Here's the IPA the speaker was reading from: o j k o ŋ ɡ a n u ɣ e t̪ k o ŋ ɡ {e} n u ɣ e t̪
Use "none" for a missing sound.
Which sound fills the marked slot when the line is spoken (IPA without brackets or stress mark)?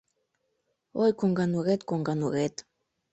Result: a